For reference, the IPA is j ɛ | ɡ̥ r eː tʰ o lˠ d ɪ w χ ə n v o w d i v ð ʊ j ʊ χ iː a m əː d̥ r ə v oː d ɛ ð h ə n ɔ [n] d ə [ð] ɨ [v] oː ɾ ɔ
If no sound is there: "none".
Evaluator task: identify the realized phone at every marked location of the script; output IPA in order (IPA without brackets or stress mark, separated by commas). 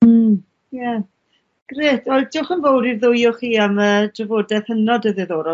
none, ð, ð